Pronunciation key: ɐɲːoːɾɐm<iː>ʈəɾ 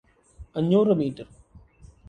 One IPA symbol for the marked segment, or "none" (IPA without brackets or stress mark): iː